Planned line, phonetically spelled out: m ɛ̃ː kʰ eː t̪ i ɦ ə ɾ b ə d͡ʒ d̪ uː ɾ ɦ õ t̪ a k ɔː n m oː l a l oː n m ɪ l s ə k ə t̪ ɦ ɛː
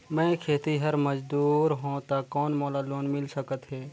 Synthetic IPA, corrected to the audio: m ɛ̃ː kʰ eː t̪ i ɦ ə ɾ m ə d͡ʒ d̪ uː ɾ ɦ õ t̪ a k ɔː n m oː l a l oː n m ɪ l s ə k ə t̪ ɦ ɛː

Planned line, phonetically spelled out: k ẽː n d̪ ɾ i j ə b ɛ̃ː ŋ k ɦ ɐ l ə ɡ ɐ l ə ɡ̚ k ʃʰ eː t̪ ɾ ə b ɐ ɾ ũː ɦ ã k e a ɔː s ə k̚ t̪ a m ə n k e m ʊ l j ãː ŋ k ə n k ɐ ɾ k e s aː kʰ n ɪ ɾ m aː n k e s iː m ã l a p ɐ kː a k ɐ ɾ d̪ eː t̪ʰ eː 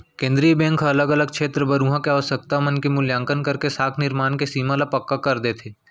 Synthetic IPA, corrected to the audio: k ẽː n d̪ ɾ i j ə b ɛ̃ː ŋ k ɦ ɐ l ə ɡ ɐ l ə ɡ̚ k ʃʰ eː t̪ ɾ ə b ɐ ɾ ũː ɦ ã k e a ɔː s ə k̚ t̪ a m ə n k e m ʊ l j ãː ŋ k ə n k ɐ ɾ k e s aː kʰ n ɪ ɾ m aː n k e s iː m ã l a p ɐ kː a k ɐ ɾ d̪ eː t̪ʰ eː

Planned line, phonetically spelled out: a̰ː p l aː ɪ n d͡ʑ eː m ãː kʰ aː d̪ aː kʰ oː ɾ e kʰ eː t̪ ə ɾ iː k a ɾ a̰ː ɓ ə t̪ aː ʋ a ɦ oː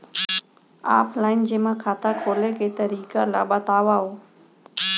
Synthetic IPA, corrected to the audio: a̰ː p l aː ɪ n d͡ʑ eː m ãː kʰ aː t̪ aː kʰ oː l e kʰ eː t̪ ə ɾ iː k a l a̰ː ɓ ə t̪ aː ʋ a ɦ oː

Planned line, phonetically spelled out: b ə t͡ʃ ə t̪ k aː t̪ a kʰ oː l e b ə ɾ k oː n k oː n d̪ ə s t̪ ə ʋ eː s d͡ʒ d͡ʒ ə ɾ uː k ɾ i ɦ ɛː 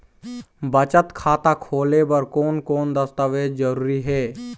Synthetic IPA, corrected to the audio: b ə t͡ʃ ə t̪ kʰ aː t̪ a kʰ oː l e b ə ɾ k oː n k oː n d̪ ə s t̪ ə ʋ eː d͡ʒ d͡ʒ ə ɾ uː ɾ i ɦ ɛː

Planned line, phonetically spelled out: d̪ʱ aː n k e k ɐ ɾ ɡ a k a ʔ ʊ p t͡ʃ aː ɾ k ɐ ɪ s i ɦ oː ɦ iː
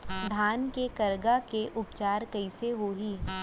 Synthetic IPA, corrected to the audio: d̪ʱ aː n k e k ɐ ɾ ɡ a k e ʔ ʊ p t͡ʃ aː ɾ k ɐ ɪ s e ɦ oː ɦ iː

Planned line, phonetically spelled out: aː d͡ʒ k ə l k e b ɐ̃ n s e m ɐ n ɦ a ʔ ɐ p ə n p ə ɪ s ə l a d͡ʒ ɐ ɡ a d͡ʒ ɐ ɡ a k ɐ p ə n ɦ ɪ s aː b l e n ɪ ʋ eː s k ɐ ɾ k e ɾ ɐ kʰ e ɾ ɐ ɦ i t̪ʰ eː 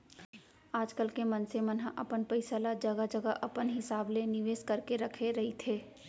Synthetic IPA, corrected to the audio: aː d͡ʒ k ə l k e m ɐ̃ n s e m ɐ n ɦ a ʔ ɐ p ə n p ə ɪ s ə l a d͡ʒ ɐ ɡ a d͡ʒ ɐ ɡ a ʔ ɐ p ə n ɦ ɪ s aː b l e n ɪ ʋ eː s k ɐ ɾ k e ɾ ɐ kʰ e ɾ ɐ ɦ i t̪ʰ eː

